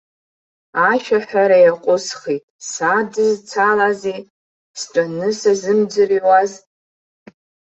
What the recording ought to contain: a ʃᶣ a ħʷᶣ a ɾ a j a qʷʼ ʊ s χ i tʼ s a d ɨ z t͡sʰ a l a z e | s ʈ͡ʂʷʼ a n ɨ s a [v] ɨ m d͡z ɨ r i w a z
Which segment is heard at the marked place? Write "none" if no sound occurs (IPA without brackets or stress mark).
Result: z